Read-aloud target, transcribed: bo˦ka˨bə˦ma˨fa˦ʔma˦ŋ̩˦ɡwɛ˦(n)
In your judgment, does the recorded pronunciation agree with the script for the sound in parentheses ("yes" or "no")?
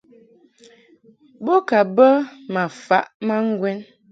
yes